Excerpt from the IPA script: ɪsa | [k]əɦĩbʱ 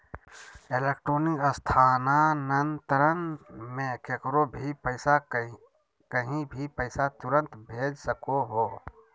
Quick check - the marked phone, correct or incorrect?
correct